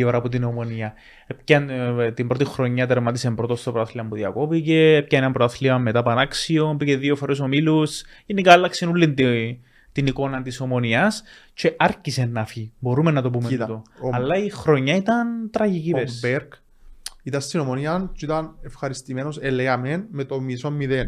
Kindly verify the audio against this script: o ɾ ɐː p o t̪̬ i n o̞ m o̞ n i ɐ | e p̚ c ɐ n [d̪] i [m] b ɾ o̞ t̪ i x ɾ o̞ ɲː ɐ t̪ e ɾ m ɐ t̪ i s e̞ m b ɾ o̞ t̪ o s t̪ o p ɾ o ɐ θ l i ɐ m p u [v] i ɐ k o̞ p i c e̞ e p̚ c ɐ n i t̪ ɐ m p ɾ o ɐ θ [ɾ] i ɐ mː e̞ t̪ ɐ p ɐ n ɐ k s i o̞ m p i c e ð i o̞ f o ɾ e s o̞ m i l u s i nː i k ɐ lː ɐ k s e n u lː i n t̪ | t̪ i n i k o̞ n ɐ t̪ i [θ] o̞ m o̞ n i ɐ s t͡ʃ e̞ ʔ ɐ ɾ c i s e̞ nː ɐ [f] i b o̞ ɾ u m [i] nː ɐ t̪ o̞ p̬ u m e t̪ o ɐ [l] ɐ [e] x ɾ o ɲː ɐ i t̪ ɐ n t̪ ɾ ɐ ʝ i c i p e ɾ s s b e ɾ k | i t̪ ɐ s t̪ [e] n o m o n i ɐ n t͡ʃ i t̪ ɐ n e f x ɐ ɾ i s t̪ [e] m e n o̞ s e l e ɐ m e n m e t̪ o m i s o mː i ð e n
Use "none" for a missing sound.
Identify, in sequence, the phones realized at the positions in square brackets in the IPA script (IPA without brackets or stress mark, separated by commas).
t̪, m, ð, l, s, f, e, lː, i, i, i